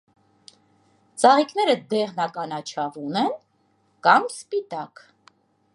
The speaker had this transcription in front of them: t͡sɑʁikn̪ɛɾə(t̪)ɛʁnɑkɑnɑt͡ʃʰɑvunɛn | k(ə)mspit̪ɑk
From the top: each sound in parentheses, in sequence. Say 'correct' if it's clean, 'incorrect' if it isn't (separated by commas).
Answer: incorrect, incorrect